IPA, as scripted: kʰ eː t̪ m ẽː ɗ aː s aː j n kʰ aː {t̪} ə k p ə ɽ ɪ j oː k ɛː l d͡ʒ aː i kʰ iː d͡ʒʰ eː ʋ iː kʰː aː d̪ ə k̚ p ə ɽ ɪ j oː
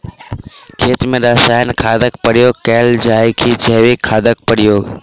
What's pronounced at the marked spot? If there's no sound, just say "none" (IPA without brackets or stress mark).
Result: d̪